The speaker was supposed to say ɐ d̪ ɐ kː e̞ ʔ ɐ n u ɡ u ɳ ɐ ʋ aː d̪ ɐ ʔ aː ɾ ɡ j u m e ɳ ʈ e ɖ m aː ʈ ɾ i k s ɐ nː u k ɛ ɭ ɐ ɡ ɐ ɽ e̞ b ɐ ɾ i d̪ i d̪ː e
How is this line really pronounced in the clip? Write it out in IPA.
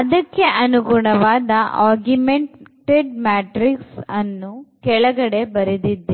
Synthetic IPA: ɐ d̪ ɐ kː e̞ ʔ ɐ n u ɡ u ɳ ɐ ʋ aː d̪ ɐ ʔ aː ɾ ɡ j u m e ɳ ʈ e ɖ m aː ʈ ɾ i k s ɐ nː u k ɛ ɭ ɐ ɡ ɐ ɽ e̞ b ɐ ɾ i d̪ i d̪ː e